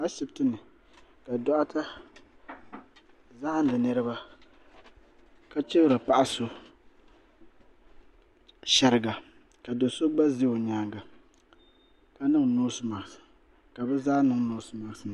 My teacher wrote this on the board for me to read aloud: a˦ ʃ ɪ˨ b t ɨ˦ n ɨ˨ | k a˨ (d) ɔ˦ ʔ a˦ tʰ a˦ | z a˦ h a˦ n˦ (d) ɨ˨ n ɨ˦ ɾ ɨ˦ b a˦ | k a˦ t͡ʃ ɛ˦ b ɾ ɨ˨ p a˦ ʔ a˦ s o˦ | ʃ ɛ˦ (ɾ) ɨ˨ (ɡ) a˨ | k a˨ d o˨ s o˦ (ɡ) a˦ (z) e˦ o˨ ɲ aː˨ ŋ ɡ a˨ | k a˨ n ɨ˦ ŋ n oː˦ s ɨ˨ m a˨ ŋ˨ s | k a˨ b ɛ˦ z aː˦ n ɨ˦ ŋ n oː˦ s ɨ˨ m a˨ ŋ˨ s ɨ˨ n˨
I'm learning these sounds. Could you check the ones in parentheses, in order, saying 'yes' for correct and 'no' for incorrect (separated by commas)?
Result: yes, yes, yes, yes, no, yes